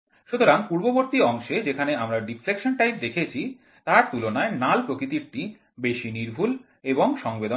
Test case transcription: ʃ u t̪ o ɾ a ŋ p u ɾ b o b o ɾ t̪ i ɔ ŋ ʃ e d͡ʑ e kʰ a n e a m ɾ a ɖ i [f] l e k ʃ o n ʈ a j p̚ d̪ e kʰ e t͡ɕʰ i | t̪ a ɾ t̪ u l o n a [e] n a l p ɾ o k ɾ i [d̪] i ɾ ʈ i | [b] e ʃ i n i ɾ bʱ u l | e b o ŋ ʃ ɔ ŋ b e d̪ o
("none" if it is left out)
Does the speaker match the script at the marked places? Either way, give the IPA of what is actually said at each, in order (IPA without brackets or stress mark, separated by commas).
f, e, t̪, b